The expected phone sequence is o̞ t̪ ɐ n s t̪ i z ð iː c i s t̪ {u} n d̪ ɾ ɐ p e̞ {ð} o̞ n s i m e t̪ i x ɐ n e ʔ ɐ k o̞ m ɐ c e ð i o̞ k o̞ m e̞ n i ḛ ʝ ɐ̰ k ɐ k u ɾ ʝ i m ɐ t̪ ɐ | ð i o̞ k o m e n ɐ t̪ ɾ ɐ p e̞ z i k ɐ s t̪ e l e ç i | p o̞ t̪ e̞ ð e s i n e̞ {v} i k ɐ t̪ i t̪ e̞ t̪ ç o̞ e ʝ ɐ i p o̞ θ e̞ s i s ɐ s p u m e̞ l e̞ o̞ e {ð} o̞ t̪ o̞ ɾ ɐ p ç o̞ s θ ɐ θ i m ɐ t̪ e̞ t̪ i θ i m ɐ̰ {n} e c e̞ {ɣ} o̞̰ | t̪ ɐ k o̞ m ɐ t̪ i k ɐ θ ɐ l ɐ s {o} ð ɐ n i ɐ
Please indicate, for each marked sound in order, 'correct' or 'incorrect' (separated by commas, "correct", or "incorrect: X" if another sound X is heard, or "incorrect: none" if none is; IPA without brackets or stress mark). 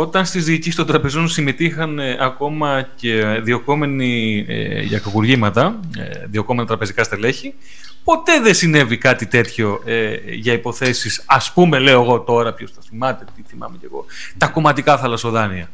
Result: incorrect: o, incorrect: z, correct, incorrect: ɣ, incorrect: m, correct, correct